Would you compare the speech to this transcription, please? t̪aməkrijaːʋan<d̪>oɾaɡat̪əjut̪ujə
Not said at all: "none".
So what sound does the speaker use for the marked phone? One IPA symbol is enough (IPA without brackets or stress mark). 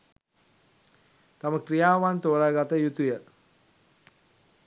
t̪